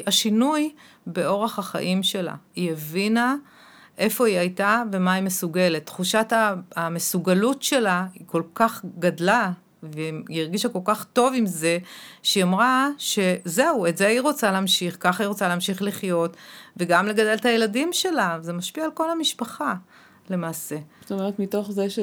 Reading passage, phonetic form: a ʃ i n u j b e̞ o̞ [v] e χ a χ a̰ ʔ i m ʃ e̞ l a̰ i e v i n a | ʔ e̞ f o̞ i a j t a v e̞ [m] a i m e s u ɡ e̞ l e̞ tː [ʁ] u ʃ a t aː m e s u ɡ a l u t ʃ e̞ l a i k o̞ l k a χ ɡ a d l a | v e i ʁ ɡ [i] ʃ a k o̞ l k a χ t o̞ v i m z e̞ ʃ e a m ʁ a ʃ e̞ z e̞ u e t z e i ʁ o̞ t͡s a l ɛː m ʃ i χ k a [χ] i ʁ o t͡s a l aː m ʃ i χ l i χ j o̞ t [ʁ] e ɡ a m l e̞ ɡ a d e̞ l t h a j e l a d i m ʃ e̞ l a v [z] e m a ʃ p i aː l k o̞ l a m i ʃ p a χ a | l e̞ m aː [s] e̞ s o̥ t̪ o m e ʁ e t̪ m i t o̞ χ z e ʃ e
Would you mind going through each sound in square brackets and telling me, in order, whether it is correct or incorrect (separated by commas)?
incorrect, correct, incorrect, correct, correct, incorrect, correct, correct